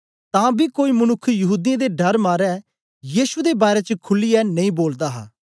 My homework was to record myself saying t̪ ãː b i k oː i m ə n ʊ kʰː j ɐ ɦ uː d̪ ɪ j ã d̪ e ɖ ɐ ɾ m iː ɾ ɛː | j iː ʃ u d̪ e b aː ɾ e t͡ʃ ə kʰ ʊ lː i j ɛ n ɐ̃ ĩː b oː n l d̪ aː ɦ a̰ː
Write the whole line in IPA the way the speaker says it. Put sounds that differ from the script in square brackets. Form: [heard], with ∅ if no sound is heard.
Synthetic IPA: t̪ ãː b i k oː i m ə n ʊ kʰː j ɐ ɦ uː d̪ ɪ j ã d̪ e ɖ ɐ ɾ m [aː] ɾ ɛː | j iː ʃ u d̪ e b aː ɾ e t͡ʃ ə kʰ ʊ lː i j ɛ n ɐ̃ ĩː b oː [∅] l d̪ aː ɦ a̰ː